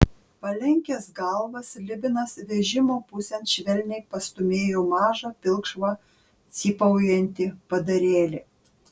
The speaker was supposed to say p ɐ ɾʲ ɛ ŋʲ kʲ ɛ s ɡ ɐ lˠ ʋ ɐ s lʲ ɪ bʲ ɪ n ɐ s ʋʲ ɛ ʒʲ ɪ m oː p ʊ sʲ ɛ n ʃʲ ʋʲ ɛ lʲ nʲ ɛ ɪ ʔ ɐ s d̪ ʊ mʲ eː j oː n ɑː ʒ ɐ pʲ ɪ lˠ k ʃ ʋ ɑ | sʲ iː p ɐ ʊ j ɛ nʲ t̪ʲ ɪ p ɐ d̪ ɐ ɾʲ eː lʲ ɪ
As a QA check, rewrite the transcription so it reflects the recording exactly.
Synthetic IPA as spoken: p ɐ lʲ ɛ ŋʲ kʲ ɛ s ɡ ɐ lˠ ʋ ɐ s lʲ ɪ bʲ ɪ n ɐ s ʋʲ ɛ ʒʲ ɪ m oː p ʊ sʲ ɛ n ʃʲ ʋʲ ɛ lʲ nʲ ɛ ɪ p ɐ s t̪ ʊ mʲ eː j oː m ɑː ʒ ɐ pʲ ɪ lˠ k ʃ ʋ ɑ | sʲ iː p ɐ ʊ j ɛ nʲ t̪ʲ ɪ p ɐ d̪ ɐ ɾʲ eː lʲ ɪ